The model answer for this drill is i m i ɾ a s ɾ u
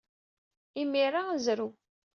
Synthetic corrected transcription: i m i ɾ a z ɾ u